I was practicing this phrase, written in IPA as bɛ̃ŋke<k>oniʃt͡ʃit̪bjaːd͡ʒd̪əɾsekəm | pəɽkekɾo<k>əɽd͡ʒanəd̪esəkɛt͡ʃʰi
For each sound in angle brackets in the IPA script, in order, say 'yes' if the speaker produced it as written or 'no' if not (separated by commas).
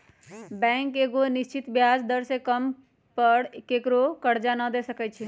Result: no, yes